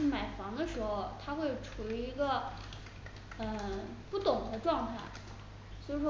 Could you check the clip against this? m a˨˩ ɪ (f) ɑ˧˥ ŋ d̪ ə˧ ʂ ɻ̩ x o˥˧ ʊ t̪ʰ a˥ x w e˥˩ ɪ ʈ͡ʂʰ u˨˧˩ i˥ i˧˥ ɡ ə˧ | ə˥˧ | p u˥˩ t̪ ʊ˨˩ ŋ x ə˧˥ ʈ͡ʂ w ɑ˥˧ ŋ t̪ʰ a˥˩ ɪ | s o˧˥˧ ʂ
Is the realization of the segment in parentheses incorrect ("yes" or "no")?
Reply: no